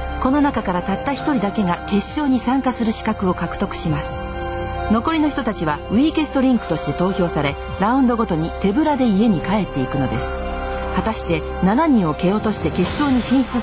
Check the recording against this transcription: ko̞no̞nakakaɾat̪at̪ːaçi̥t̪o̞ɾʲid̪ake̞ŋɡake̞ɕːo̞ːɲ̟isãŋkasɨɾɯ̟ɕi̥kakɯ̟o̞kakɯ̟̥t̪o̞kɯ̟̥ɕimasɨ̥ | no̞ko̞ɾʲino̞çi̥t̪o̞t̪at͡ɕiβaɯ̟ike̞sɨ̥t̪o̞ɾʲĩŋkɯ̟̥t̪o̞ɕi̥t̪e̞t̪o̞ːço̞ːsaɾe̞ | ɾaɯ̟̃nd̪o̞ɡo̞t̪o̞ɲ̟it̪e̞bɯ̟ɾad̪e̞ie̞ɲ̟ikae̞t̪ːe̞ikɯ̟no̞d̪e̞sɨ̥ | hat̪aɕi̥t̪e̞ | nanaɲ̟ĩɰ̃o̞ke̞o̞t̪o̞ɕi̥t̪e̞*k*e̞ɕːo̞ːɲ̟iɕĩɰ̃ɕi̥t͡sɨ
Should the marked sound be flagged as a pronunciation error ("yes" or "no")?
no